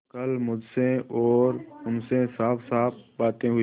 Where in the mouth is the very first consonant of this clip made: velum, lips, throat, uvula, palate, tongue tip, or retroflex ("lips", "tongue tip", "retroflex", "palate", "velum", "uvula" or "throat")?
velum